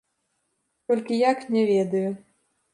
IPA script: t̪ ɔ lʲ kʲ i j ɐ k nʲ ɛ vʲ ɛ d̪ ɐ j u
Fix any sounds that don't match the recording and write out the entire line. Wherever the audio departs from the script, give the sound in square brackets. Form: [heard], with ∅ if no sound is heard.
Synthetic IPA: t̪ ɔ lʲ kʲ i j [a] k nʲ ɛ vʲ ɛ d̪ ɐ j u